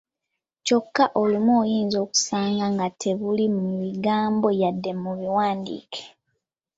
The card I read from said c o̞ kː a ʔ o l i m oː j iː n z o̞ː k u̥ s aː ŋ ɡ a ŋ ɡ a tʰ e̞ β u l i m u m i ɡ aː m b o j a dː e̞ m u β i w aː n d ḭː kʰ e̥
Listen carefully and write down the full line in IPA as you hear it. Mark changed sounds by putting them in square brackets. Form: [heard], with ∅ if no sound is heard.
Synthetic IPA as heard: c o̞ kː a ʔ o l i m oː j iː n z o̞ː k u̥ s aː ŋ ɡ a ŋ ɡ a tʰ e̞ β u l i m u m i ɡ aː m b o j a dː e̞ m u β i w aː n d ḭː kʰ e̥